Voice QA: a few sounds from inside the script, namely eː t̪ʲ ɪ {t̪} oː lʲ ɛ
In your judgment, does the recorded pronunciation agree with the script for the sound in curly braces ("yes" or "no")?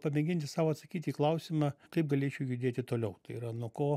yes